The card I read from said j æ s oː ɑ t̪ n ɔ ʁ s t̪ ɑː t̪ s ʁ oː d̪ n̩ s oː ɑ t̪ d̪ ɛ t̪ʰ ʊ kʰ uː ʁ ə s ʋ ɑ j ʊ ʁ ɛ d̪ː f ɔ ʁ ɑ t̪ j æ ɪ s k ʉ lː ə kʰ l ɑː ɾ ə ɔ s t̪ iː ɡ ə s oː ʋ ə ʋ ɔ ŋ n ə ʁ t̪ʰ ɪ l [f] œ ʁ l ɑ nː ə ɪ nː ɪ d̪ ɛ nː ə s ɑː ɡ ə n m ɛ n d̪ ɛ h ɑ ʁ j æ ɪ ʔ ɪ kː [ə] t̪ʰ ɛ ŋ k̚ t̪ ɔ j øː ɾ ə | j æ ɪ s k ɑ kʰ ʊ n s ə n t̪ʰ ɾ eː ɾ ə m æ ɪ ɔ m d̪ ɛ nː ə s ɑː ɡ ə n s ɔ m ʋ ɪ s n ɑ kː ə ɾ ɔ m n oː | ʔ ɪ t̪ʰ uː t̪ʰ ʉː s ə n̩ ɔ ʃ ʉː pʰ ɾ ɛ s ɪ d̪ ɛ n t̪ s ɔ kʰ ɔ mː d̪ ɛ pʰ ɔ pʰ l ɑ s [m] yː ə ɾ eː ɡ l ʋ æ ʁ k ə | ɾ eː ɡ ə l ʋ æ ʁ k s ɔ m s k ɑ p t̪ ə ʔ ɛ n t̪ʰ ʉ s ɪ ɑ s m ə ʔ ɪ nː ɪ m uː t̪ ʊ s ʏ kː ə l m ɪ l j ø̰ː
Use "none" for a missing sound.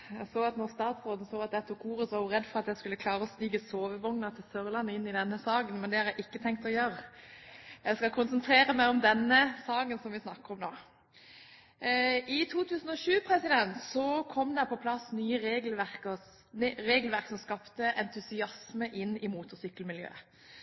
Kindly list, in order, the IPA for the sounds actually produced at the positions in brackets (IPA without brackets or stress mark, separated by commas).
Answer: s, ə, n